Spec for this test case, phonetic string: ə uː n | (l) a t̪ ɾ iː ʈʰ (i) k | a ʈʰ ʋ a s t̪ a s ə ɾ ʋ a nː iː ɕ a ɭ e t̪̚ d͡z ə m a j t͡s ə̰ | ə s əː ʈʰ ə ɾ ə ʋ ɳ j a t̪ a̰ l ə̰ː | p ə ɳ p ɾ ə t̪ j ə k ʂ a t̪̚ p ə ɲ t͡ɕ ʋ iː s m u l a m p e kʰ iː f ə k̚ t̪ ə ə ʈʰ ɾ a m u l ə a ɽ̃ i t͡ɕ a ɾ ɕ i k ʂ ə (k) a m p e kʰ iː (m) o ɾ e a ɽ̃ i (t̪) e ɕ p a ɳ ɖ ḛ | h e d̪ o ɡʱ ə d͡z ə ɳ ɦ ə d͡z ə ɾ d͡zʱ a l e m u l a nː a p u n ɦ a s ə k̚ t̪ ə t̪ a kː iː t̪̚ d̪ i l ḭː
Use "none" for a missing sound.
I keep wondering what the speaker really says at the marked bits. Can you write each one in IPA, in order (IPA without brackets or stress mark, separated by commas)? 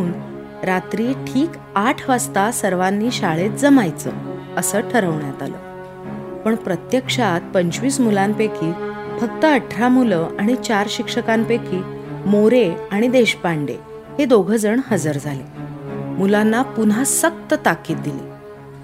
ɾ, iː, k, m, d̪